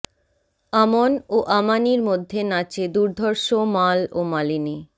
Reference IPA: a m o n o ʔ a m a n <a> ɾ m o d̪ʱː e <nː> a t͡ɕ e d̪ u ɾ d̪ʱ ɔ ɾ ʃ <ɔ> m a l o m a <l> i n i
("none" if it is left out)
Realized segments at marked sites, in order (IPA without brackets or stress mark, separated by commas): i, n, o, l